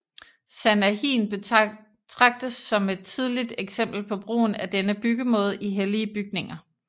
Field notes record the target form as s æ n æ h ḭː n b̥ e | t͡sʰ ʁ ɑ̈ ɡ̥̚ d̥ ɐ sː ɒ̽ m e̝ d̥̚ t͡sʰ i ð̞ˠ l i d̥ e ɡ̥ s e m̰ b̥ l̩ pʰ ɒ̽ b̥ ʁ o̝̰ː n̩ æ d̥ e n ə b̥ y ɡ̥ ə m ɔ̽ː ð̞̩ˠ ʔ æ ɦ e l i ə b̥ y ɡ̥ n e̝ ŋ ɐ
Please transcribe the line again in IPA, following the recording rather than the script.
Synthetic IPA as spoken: s æ n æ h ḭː n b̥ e | t͡sʰ ʁ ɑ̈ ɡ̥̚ d̥ ə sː ɒ̽ m e̝ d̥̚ t͡sʰ i ð̞ˠ l i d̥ e ɡ̥ s e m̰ b̥ l̩ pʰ ɒ̽ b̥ ʁ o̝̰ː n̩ æ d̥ e n ə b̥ y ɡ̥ ə m ɔ̽ː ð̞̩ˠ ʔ i ɦ e l i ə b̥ y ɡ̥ n e̝ ŋ ɐ